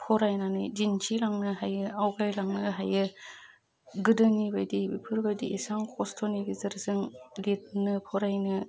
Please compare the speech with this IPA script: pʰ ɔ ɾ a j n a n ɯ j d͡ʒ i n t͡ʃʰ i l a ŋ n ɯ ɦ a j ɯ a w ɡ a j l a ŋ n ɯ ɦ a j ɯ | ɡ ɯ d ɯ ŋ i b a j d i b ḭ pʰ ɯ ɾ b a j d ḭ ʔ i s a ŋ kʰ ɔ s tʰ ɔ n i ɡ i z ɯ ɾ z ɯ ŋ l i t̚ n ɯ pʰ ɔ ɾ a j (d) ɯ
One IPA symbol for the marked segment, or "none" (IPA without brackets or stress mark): n